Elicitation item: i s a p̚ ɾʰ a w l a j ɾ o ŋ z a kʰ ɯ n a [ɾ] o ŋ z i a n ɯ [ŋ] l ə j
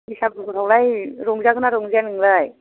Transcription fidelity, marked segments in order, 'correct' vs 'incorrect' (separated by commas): correct, correct